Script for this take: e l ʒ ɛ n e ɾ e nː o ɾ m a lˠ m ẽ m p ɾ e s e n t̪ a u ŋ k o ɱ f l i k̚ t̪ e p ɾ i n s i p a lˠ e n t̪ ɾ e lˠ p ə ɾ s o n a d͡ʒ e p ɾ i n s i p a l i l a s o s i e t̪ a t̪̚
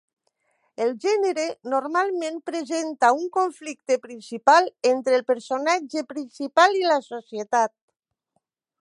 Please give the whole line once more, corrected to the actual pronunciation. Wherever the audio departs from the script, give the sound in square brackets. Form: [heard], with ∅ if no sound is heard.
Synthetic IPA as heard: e l ʒ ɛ n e ɾ e [n] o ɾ m a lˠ m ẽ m p ɾ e [z] e n t̪ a u ŋ k o ɱ f l i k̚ t̪ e p ɾ i n s i p a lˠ e n t̪ ɾ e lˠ p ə ɾ s o n a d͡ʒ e p ɾ i n s i p a l i l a s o s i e t̪ a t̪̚